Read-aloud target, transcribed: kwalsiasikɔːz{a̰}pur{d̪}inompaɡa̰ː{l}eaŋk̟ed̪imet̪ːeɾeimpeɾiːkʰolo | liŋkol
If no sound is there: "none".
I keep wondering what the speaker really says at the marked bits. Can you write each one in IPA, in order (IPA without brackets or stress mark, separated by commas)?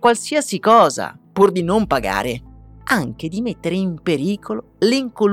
a̰, d̪, ɾ